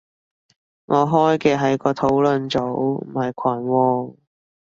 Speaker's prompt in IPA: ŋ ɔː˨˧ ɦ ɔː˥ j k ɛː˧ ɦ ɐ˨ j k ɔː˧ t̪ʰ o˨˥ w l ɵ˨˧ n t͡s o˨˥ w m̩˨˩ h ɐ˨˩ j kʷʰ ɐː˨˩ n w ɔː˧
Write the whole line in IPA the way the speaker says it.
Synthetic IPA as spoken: ŋ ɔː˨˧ ɦ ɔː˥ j k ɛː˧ ɦ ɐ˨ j k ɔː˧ t̪ʰ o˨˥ w l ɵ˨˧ n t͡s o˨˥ w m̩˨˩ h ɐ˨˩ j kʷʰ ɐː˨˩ n w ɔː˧